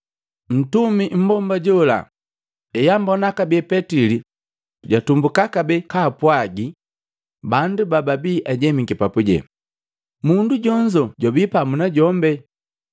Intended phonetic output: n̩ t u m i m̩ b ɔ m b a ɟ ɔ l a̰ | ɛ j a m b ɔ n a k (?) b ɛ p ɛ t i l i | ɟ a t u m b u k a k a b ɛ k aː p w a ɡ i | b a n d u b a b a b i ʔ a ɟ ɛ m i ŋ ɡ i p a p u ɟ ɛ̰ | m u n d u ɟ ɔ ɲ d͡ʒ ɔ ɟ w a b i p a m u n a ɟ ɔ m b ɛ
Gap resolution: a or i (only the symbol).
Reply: a